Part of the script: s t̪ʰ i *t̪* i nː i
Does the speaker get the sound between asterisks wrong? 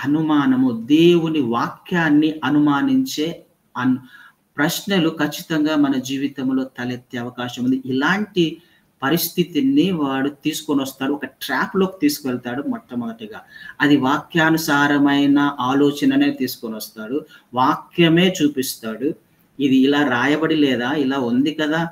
no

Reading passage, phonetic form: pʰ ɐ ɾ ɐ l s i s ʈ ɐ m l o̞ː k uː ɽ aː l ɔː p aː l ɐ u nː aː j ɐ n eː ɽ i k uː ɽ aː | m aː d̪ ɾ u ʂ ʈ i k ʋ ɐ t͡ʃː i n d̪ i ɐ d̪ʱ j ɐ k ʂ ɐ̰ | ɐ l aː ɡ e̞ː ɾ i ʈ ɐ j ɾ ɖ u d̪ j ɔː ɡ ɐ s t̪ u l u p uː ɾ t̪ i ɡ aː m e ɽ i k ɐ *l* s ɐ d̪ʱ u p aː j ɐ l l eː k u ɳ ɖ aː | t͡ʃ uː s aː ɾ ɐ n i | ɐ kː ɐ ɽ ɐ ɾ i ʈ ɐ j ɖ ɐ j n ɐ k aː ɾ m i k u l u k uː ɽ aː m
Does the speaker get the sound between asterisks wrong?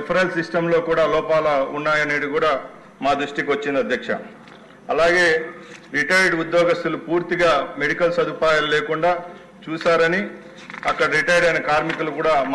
no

